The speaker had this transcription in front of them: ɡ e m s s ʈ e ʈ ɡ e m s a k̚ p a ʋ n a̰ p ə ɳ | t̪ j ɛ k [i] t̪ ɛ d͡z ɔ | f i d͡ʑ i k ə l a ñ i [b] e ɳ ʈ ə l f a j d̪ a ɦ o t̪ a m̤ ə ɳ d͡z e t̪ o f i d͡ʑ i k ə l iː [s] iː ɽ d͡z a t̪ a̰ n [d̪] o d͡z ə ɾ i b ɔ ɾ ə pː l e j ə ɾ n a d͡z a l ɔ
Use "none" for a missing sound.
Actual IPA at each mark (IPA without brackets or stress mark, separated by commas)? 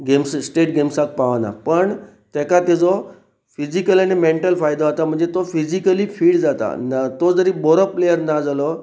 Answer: a, m, f, t̪